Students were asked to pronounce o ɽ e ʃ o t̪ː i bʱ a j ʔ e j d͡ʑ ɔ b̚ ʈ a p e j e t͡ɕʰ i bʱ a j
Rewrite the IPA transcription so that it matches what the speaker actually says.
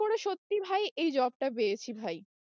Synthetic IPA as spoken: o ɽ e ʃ o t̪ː i bʱ a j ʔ e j d͡ʑ ɔ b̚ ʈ a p e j e t͡ɕʰ i bʱ a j

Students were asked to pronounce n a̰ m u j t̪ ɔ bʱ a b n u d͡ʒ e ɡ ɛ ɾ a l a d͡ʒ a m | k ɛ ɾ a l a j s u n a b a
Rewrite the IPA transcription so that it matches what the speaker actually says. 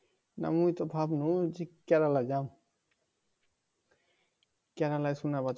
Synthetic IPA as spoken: n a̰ m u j t̪ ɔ bʱ a b n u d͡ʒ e k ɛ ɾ a l a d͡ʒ a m | k ɛ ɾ a l a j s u n a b a

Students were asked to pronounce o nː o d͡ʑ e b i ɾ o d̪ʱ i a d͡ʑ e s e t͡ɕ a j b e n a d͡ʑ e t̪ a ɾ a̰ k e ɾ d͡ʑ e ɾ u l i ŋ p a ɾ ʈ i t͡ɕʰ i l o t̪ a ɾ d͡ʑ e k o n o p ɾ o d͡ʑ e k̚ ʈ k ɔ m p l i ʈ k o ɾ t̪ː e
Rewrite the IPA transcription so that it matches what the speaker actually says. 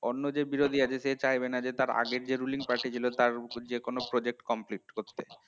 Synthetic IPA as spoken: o nː o d͡ʑ e b i ɾ o d̪ʱ i a d͡ʑ e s e t͡ɕ a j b e n a d͡ʑ e t̪ a ɾ a̰ ɡ e ɾ d͡ʑ e ɾ u l i ŋ p a ɾ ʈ i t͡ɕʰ i l o t̪ a ɾ d͡ʑ e k o n o p ɾ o d͡ʑ e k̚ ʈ k ɔ m p l i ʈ k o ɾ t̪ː e

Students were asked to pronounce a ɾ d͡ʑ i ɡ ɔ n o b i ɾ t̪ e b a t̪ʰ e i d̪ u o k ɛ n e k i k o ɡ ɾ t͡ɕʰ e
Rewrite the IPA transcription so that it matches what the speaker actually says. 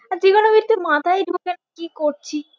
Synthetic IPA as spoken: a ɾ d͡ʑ i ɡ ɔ n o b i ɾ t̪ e m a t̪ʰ a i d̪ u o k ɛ n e k i k o ɾ t͡ɕʰ i

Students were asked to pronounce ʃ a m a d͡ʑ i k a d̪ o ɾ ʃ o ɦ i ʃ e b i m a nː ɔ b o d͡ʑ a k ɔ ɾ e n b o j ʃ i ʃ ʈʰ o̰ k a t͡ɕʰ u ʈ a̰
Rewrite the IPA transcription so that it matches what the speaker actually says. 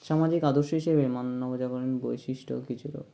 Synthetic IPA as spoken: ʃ a m a d͡ʑ i k a d̪ o ɾ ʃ o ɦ i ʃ e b e m a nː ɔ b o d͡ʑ a k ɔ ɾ e n b o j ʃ i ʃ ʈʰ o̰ k i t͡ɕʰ u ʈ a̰

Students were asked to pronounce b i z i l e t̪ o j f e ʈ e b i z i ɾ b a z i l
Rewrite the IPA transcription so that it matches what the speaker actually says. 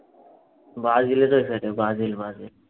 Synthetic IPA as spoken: b a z i l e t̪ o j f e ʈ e b a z i l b a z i l

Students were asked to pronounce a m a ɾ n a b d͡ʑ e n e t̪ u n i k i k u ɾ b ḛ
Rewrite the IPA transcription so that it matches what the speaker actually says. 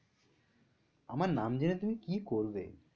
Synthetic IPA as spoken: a m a ɾ n a m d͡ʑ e n e t̪ u m i k i k o ɾ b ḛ

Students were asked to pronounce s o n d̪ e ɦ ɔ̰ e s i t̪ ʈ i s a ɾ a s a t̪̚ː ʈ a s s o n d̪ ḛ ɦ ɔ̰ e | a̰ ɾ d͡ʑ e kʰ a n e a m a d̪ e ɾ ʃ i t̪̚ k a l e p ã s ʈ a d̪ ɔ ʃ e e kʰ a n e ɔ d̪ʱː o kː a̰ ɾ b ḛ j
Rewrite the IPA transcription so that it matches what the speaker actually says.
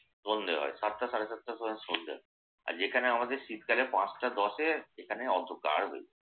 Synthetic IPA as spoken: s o n d̪ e ɦ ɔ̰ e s a t̪ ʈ a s a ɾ e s a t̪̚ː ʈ a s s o n d̪ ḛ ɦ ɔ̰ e | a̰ ɾ d͡ʑ e kʰ a n e a m a d̪ e ɾ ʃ i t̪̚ k a l e p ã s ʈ a d̪ ɔ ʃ e e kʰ a n e ɔ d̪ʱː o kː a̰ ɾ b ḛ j

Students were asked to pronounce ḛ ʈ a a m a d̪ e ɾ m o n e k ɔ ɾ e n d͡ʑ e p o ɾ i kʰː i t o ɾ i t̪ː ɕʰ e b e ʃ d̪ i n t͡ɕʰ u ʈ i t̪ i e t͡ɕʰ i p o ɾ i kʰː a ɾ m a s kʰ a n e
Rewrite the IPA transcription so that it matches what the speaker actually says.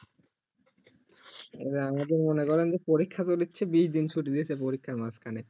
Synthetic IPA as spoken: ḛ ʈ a a m a d̪ e ɾ m o n e k ɔ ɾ e n d͡ʑ e p o ɾ i kʰː a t o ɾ i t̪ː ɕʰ e b i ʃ d̪ i n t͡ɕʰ u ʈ i d̪ i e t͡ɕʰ e p o ɾ i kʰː a ɾ m a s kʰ a n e

